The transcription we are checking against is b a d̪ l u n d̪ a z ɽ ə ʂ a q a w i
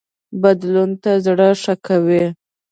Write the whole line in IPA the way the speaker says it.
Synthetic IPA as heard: b a d̪ l u n t̪ a z ɽ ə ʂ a k a w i